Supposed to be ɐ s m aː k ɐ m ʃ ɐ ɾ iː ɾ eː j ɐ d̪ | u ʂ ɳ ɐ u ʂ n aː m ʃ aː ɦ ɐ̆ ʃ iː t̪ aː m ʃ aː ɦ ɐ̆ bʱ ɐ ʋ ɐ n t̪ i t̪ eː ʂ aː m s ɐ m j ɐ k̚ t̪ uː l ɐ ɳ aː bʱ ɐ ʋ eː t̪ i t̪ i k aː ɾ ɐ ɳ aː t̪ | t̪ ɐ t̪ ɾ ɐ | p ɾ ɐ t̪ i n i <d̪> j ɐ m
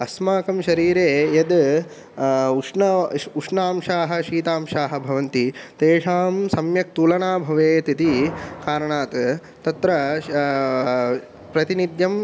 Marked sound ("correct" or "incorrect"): correct